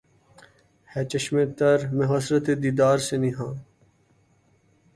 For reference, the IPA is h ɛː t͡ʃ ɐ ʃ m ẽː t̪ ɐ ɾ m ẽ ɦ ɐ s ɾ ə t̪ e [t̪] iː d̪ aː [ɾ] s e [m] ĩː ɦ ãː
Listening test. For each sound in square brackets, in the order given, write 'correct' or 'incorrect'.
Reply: incorrect: d̪, correct, incorrect: n

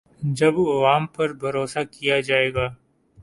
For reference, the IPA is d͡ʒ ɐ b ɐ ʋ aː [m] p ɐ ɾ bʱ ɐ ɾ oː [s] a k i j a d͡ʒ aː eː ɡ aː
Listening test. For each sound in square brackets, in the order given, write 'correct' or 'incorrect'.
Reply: correct, correct

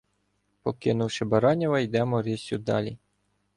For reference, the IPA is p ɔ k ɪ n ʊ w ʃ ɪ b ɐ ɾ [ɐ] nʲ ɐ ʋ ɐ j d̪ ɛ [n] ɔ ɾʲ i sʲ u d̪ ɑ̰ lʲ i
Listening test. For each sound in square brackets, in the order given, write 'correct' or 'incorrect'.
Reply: incorrect: ɑ, incorrect: m

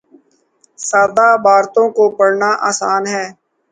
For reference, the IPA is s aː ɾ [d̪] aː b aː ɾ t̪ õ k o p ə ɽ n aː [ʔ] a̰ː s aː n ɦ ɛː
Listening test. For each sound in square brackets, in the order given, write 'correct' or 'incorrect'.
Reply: correct, correct

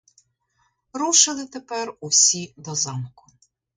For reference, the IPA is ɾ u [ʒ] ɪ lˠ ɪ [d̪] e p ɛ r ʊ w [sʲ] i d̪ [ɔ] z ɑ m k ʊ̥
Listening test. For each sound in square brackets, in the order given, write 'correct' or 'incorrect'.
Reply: incorrect: ʃ, incorrect: t̪, correct, correct

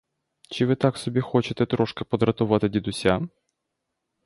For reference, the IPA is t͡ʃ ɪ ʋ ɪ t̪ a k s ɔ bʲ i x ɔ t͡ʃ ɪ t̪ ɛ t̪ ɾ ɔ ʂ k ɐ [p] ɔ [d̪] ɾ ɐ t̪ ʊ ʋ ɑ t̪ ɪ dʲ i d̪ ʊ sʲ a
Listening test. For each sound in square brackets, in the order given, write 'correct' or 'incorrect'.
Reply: correct, correct

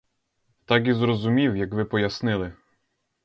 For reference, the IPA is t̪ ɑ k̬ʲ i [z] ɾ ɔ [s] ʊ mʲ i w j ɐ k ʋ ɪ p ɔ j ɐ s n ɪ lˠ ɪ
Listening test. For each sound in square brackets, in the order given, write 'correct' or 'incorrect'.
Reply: correct, incorrect: z

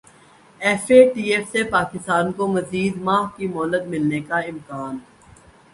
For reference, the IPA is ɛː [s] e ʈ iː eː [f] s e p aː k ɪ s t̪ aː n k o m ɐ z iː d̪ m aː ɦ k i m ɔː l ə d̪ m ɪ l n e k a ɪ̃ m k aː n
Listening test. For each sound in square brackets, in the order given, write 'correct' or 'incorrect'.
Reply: incorrect: f, correct

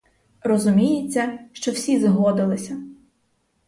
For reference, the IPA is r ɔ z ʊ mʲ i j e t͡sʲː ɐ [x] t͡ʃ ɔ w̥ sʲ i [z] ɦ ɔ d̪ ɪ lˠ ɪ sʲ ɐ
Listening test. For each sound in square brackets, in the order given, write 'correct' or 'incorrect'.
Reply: incorrect: ʃ, correct

